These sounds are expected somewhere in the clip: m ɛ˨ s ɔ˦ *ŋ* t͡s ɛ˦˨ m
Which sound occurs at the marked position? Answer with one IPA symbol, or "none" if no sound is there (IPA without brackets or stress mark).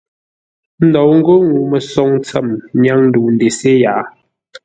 ŋ